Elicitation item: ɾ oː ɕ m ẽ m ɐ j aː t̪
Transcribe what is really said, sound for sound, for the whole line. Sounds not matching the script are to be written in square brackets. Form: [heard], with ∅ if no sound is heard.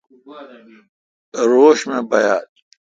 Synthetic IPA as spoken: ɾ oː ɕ m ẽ [b] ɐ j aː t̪